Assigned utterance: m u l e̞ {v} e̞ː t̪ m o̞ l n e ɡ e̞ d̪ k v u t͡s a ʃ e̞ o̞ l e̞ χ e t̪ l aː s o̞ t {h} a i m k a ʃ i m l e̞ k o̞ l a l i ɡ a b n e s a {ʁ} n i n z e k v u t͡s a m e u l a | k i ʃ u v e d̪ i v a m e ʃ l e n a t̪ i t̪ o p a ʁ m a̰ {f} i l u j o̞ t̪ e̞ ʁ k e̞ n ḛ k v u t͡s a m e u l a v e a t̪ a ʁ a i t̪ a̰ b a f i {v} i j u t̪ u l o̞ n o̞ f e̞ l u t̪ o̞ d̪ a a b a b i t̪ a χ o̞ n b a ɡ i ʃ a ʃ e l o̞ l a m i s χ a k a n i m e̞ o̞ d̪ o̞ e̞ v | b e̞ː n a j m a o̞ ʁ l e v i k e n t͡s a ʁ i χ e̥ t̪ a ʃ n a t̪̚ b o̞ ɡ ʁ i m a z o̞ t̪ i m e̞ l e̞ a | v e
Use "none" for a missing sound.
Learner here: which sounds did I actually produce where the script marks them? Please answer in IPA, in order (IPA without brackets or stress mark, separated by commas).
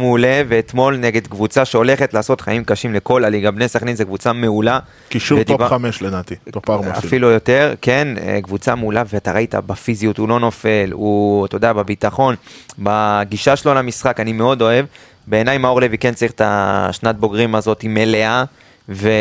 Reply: v, χ, χ, f, z